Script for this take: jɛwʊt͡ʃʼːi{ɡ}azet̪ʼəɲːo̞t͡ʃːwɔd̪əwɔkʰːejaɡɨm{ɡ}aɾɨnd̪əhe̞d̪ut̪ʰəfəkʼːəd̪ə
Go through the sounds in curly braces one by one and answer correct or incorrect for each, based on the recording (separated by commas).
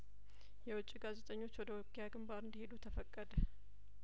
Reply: correct, incorrect